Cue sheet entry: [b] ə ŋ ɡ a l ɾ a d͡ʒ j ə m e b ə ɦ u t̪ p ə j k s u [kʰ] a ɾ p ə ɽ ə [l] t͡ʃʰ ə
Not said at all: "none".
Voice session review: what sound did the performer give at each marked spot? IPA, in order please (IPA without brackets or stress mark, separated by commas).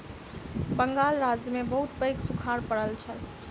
b, kʰ, l